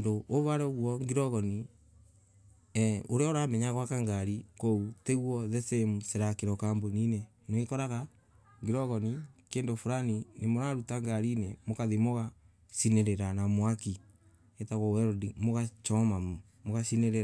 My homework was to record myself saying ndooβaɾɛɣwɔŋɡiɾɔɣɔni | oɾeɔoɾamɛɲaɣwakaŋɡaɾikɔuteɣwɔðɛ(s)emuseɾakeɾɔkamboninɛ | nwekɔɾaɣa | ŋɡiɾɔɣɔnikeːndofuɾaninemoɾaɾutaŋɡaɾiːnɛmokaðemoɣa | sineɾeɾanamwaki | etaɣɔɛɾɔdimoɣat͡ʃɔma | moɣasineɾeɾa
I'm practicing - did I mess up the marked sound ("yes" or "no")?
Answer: no